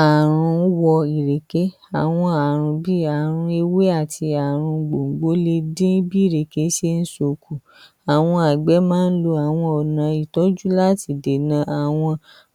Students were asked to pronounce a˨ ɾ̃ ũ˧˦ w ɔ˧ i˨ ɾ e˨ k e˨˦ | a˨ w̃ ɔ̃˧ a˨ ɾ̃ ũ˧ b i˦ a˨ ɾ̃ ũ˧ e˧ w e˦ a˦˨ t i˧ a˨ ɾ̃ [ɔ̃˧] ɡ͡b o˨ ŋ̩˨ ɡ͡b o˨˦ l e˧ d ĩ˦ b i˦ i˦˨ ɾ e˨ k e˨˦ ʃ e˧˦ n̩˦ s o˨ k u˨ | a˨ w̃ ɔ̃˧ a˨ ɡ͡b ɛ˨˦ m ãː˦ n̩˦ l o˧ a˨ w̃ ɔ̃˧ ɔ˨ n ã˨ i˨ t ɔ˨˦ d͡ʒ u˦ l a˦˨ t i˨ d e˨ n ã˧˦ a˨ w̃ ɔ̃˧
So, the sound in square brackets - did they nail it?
no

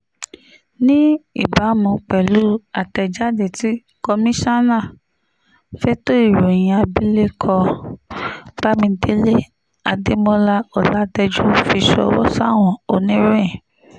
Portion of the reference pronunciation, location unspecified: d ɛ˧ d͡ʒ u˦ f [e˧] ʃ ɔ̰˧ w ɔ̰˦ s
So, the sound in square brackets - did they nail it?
no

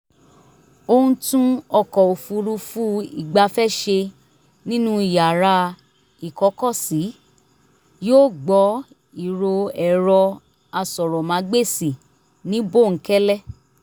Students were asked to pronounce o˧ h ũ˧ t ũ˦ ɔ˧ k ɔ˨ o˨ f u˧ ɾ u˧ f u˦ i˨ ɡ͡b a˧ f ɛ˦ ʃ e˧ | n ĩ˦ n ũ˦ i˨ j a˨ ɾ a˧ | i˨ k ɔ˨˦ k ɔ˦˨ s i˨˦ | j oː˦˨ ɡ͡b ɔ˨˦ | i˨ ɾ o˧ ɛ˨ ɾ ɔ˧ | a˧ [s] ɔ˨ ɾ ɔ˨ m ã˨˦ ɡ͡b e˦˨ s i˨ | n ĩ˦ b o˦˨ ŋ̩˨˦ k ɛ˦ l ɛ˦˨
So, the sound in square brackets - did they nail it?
yes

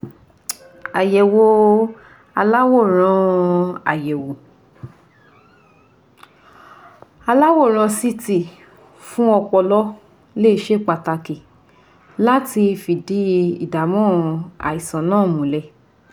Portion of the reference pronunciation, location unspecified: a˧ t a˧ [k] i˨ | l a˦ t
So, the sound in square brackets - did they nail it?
yes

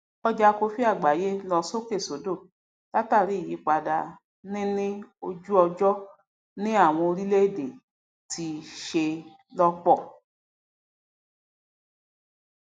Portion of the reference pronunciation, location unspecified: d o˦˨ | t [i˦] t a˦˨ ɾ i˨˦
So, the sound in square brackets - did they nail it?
no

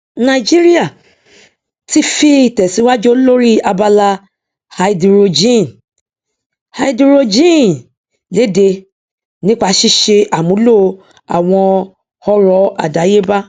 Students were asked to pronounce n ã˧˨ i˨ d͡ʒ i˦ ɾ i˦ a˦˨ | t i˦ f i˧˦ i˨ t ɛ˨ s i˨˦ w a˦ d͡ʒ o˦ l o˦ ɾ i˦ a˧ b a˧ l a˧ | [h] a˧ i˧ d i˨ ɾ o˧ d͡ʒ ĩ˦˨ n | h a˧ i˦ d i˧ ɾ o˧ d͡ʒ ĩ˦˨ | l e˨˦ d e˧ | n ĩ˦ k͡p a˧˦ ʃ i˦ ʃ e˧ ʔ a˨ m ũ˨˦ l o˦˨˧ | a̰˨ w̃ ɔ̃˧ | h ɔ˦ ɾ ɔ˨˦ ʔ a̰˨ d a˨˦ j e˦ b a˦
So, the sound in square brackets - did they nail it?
yes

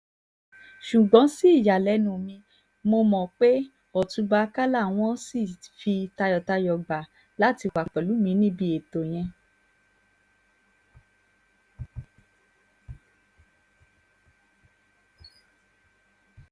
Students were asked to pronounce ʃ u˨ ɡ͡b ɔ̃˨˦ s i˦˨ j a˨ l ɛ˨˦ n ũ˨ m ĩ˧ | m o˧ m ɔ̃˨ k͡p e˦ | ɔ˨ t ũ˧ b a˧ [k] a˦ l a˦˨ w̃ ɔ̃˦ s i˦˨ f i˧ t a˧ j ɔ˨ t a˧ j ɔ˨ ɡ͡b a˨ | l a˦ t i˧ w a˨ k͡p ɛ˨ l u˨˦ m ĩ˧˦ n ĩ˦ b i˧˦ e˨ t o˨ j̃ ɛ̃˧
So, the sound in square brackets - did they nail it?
yes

